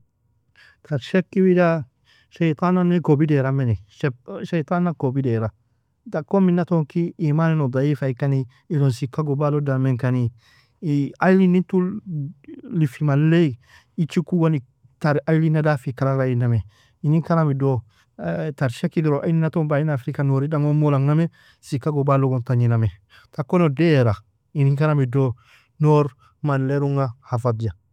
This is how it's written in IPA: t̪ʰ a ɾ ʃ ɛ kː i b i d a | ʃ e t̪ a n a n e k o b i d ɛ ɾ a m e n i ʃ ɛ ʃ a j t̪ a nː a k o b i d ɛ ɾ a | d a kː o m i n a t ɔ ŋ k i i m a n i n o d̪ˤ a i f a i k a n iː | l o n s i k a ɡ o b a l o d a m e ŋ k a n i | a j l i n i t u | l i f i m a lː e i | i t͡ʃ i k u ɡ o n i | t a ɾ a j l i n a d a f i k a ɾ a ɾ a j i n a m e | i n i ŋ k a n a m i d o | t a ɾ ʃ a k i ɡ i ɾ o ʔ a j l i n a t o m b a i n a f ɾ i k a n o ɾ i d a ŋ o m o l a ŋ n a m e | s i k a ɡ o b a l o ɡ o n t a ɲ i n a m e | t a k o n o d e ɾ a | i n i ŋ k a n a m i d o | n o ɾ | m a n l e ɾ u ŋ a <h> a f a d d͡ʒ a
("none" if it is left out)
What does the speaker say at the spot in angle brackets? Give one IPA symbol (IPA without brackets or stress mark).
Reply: h